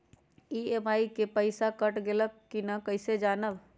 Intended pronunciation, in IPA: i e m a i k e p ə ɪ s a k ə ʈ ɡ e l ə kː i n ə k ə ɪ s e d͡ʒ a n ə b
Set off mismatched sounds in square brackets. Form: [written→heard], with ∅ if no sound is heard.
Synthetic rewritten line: i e m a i k e p ə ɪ s a k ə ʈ ɡ e l ə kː i n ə k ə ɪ s e d͡ʒ a n ə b